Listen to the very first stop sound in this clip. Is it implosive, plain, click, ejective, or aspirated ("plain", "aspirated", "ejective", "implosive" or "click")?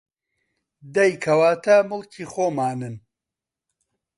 plain